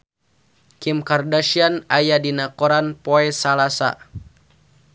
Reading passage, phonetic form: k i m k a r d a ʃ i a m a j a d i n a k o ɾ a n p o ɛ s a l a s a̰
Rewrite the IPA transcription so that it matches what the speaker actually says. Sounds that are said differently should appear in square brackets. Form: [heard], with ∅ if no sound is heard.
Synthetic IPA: k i m k a r d a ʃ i a [n] a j a d i n a k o ɾ a n p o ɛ s a l a s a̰